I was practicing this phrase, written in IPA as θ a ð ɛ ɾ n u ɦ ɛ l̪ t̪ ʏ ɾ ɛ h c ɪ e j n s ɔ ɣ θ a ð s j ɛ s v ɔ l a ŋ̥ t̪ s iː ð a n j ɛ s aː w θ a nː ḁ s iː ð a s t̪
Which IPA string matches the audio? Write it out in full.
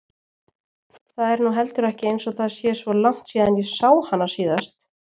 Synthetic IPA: θ a ð ɛ ɾ n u ɦ ɛ l̪ t̪ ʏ ɾ ɛ h c ɪ e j n s ɔ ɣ θ a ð s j ɛ s v ɔ l a ŋ̥ t̪ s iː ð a n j ɛ s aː w h a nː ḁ s iː ð a s t̪